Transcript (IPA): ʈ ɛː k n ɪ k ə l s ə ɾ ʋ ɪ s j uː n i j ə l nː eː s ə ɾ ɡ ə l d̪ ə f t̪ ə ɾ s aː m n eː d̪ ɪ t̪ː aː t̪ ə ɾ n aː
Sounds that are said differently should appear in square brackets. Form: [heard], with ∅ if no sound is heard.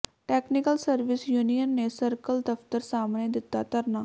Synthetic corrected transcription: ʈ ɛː k n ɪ k ə l s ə ɾ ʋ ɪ s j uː n i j ə [∅] nː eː s ə ɾ [k] ə l d̪ ə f t̪ ə ɾ s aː m n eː d̪ ɪ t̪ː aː t̪ ə ɾ n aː